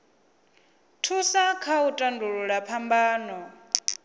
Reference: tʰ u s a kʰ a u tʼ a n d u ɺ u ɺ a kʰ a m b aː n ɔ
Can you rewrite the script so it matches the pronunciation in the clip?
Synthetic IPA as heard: tʰ u s a kʰ a u tʼ a n d u ɺ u ɺ a pʰ a m b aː n ɔ

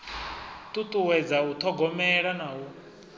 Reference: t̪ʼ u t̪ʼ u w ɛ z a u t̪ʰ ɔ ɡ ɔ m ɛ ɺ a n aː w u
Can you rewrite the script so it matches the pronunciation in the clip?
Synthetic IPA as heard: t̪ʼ u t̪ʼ u w ɛ d͡z a u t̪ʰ ɔ ɡ ɔ m ɛ ɺ a n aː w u

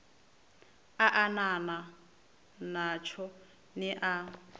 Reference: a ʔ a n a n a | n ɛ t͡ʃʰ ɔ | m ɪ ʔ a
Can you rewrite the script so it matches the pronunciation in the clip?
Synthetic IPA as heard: a ʔ a n a n a | n a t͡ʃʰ ɔ | n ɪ ʔ a

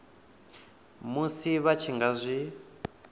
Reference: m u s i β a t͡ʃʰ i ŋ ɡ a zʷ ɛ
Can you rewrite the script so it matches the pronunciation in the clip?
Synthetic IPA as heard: m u s i β a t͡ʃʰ i ŋ ɡ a zʷ i

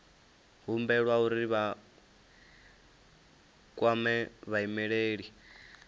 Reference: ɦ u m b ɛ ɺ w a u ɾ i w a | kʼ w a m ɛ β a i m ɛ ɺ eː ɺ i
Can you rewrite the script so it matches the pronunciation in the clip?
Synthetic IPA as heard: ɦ u m b ɛ ɺ w a u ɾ i β a | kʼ w a m ɛ β a i m ɛ ɺ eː ɺ i

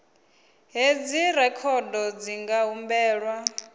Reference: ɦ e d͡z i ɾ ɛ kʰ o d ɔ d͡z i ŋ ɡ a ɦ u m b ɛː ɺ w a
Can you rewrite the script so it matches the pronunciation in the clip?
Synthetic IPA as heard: ɦ e d͡z i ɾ ɛ kʰ ɔ d ɔ d͡z i ŋ ɡ a ɦ u m b ɛː ɺ w a

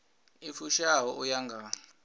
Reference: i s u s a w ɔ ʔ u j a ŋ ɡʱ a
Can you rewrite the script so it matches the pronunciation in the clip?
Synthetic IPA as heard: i f u ʃ a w ɔ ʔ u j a ŋ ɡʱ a

